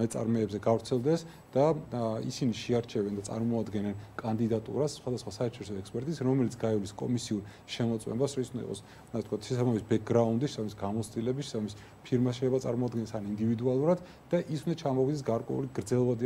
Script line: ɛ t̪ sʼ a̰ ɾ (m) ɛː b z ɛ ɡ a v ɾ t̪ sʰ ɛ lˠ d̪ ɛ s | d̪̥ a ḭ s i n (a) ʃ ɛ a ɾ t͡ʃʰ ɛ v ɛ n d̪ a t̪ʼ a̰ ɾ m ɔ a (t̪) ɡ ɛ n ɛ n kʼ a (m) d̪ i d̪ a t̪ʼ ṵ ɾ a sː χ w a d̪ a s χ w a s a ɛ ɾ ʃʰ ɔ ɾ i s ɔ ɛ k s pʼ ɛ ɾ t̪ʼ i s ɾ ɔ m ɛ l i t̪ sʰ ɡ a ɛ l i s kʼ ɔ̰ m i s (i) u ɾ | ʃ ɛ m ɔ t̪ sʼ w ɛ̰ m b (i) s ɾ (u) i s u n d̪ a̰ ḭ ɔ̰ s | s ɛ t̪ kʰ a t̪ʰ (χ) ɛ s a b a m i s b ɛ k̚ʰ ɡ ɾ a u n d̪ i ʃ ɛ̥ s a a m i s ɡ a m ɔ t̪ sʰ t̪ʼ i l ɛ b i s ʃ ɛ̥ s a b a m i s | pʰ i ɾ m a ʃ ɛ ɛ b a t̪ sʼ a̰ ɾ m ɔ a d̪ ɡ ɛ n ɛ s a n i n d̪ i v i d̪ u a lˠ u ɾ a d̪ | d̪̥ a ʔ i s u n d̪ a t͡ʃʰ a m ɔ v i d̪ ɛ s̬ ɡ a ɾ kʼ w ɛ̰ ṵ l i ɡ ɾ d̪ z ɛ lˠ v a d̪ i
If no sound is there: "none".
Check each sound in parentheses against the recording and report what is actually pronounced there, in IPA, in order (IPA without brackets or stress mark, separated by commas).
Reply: m, i, d̪, n, i, a, ɔ, ʃ